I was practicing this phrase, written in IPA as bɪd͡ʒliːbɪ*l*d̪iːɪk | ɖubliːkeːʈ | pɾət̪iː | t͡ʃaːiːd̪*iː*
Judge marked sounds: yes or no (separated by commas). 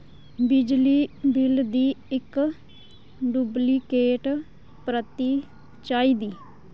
yes, yes